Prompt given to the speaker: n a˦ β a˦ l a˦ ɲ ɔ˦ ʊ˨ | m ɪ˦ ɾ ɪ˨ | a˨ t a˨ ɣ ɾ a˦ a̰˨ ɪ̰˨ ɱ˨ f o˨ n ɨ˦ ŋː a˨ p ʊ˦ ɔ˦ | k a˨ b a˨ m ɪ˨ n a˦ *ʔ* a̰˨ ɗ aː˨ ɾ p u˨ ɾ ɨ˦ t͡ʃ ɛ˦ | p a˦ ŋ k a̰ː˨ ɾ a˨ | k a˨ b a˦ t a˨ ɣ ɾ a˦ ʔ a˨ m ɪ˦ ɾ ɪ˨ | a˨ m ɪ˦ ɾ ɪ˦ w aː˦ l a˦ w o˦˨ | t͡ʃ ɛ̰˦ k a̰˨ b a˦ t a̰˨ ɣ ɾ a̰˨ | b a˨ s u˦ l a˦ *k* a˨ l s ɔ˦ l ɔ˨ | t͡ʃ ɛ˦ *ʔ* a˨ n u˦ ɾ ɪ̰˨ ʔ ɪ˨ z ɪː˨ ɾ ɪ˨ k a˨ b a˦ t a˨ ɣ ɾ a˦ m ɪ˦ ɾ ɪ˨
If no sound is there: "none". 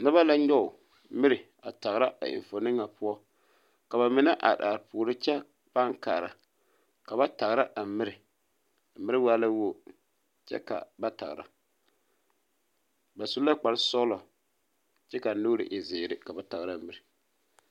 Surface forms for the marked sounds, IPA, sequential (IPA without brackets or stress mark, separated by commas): ʔ, k͡p, k